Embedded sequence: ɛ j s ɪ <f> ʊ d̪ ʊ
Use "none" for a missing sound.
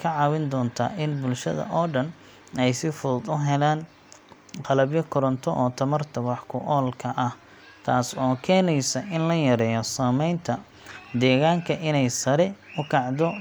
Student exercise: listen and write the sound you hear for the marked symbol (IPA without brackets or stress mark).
f